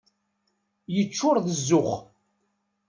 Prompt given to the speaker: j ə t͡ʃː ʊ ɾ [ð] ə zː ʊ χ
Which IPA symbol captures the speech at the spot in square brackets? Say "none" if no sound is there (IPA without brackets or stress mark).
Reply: ð